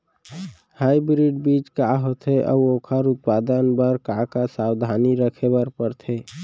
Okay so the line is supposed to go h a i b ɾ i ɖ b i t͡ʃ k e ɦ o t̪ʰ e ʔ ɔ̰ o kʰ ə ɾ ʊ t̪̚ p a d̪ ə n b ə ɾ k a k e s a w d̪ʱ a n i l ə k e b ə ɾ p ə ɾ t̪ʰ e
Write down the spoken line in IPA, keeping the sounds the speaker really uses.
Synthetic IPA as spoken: h a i b ɾ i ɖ b i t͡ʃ k a ɦ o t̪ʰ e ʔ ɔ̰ o kʰ ə ɾ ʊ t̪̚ p a d̪ ə n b ə ɾ k a k a s a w d̪ʱ a n i ɾ ə kʰ e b ə ɾ p ə ɾ t̪ʰ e

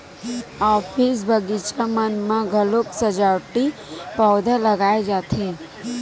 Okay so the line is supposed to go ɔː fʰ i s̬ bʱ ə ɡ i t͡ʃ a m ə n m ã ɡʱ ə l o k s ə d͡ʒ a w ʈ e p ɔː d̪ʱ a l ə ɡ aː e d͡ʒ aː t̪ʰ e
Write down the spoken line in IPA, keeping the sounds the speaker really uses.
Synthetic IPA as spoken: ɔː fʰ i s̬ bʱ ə ɡ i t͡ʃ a m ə n m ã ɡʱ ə l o k s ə d͡ʒ a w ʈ i p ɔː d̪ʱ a l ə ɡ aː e d͡ʒ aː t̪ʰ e

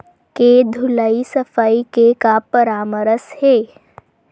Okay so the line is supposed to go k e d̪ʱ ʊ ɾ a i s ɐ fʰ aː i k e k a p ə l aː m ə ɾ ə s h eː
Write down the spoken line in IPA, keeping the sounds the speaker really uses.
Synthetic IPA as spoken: k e d̪ʱ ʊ l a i s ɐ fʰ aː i k e k a p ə ɾ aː m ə ɾ ə s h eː

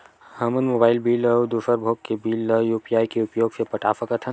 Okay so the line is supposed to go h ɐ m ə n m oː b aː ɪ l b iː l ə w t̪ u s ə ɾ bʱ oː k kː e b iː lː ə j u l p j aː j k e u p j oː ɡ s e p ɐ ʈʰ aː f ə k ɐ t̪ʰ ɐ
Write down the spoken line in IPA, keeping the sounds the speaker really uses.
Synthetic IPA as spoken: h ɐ m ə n m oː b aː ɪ l b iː l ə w d̪ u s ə ɾ bʱ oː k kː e b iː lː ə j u p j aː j k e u p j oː ɡ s e p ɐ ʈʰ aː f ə k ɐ t̪ʰ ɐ

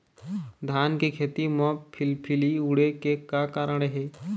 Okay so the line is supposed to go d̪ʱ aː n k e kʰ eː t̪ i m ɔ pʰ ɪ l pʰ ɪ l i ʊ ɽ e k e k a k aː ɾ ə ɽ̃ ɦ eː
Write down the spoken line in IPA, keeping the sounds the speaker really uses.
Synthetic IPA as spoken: d̪ʱ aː n k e kʰ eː t̪ i m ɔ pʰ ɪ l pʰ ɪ l i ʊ ɽ e k e k a k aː ɾ ə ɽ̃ ɦ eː

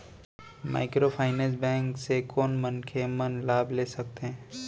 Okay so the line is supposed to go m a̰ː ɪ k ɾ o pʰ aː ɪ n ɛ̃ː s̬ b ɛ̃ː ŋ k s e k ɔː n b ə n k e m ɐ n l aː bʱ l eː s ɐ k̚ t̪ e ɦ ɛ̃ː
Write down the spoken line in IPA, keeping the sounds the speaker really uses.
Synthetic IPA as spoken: m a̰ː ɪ k ɾ o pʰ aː ɪ n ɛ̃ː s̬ b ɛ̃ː ŋ k s e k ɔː n m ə n kʰ e m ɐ n l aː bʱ l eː s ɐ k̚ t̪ e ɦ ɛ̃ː

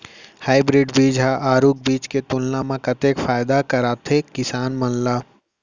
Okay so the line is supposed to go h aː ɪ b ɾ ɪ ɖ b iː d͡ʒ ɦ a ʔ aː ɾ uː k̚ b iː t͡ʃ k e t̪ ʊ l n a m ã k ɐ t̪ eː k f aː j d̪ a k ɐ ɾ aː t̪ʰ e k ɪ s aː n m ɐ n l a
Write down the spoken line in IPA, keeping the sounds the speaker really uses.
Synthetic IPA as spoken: h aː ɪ b ɾ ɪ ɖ b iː d͡ʒ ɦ a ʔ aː ɾ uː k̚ b iː t͡ʃ k e t̪ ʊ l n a m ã k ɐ t̪ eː k f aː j d̪ a k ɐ ɾ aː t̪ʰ e k ɪ s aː n m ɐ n l a

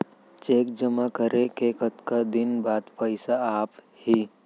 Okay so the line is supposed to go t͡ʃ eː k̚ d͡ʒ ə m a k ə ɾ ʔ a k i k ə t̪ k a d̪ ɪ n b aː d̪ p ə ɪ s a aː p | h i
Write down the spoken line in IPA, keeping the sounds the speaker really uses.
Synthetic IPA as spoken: t͡ʃ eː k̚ d͡ʒ ə m a k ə ɾ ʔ e k e k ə t̪ k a d̪ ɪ n b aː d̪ p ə ɪ s a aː p | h i

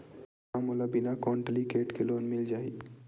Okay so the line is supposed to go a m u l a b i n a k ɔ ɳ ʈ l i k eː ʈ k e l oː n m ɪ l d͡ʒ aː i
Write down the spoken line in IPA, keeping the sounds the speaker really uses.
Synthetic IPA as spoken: a m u l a b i n a k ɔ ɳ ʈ l i k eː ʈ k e l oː n m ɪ l d͡ʒ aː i

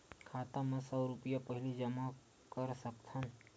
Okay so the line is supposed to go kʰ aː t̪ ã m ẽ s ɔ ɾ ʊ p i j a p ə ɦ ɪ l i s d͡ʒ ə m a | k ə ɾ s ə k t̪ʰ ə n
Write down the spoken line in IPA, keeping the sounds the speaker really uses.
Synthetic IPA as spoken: kʰ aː t̪ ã m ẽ s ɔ ɾ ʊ p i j a p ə ɦ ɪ l i d͡ʒ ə m a | k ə ɾ s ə k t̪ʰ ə n

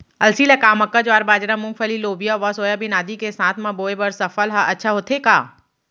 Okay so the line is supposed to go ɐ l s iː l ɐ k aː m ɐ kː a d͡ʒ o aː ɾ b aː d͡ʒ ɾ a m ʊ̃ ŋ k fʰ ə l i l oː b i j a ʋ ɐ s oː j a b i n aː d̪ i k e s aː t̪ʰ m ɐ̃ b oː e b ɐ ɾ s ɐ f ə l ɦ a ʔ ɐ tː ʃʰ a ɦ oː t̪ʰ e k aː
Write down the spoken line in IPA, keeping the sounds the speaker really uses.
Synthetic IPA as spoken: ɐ l s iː l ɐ k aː m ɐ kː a d͡ʒ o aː ɾ b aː d͡ʒ ɾ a m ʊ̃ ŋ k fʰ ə l i l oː b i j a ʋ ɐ s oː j a b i n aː d̪ i k e s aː t̪ʰ m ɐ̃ b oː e b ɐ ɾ s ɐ f ə l ɦ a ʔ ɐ tː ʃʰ a ɦ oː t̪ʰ e k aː

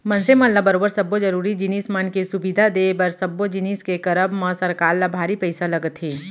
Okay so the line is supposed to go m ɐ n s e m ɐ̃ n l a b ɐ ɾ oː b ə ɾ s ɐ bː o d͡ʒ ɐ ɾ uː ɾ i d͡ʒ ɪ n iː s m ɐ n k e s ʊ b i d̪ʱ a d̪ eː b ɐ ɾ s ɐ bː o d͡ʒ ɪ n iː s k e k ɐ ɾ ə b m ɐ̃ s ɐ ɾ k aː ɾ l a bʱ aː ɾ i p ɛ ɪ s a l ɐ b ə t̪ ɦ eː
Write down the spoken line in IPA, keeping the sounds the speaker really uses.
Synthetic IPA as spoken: m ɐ n s e m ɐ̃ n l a b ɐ ɾ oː b ə ɾ s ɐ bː o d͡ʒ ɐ ɾ uː ɾ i d͡ʒ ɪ n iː s m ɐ n k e s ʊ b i d̪ʱ a d̪ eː b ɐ ɾ s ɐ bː o d͡ʒ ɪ n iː s k e k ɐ ɾ ə b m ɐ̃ s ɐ ɾ k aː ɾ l a bʱ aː ɾ i p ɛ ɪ s a l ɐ ɡ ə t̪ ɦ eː

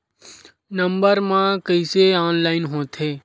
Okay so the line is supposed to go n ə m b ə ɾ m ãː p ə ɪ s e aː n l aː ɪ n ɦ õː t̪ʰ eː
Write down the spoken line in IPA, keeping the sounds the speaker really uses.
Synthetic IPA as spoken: n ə m b ə ɾ m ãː k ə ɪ s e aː n l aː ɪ n ɦ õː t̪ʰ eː

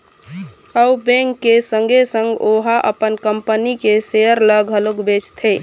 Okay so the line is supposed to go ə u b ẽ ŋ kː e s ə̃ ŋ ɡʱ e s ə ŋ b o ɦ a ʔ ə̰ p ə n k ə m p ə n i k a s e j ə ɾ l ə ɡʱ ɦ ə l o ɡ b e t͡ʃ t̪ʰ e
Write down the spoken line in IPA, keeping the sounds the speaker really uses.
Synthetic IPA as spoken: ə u b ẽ ŋ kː e s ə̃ ŋ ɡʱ e s ə ŋ ɡ o ɦ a ʔ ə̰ p ə n k ə m p ə n i k e s e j ə ɾ l ə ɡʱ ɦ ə l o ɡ b e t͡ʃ t̪ʰ e

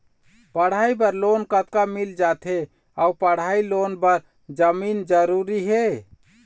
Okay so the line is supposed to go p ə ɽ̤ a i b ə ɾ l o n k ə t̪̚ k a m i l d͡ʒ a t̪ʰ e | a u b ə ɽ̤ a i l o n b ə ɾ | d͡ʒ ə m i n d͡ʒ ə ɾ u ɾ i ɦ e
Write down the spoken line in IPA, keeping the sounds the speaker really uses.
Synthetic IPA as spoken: p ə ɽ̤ a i b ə ɾ l o n k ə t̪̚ k a m i l d͡ʒ a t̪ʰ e | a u p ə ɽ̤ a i l o n b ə ɾ | d͡ʒ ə m i n d͡ʒ ə ɾ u ɾ i ɦ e

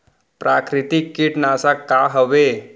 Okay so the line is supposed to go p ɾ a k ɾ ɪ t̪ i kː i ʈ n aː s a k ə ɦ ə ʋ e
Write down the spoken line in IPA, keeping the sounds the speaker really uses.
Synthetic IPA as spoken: p ɾ a k ɾ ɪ t̪ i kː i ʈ n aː s a k a ɦ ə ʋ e

